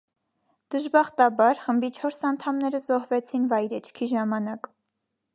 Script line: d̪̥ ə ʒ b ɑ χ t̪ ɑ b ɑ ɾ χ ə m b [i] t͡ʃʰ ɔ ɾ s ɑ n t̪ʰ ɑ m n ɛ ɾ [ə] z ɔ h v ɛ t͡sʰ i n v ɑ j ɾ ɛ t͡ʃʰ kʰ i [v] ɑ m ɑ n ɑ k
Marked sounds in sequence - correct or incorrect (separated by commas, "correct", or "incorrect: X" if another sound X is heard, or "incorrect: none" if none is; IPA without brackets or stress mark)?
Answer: correct, correct, incorrect: ʒ